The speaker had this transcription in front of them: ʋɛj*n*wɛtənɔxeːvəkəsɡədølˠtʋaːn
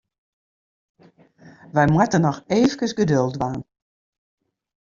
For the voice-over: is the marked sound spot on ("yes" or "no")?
no